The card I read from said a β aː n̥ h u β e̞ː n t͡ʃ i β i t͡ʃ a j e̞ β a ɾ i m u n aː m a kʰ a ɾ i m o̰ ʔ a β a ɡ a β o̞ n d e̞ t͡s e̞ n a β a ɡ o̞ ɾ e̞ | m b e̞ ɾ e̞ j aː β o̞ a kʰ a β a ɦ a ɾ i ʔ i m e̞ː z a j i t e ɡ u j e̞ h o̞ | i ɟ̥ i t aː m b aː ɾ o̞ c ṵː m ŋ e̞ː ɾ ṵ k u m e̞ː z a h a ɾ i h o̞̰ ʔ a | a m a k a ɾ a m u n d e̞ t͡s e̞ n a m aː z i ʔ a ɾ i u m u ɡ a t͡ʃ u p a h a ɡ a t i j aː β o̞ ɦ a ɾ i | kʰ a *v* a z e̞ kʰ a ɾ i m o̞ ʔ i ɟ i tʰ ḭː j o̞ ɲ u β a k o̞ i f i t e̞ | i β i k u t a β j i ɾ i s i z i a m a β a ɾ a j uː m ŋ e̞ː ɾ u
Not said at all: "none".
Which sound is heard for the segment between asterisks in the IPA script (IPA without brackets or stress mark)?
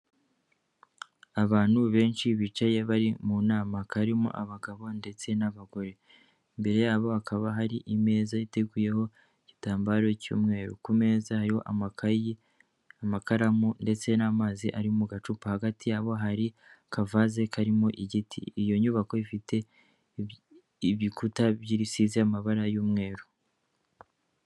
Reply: v